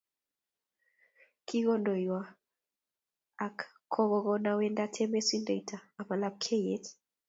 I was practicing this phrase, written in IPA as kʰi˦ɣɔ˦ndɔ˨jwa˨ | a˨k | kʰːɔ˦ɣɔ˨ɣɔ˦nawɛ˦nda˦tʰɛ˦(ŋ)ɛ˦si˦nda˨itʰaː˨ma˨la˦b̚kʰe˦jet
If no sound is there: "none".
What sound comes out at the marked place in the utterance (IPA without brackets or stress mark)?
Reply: m